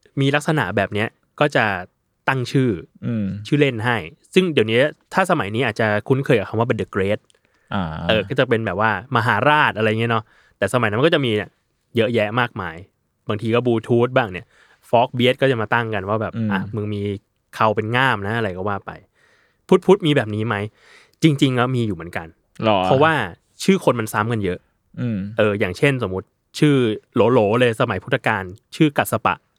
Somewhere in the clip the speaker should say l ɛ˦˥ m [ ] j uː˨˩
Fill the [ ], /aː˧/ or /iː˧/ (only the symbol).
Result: iː˧